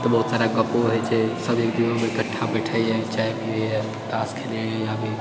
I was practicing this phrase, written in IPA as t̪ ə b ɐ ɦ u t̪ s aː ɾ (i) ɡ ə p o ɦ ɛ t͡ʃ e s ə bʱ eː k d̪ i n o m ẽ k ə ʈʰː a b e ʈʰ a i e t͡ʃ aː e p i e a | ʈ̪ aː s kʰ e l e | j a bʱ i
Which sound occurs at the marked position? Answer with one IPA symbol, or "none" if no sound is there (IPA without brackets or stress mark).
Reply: a